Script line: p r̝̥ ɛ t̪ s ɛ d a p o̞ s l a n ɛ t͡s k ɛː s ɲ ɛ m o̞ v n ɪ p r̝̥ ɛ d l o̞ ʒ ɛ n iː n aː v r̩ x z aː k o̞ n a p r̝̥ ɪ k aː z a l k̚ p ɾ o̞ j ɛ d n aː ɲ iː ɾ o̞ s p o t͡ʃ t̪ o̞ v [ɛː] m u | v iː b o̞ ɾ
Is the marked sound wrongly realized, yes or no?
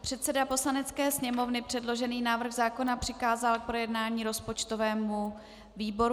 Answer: no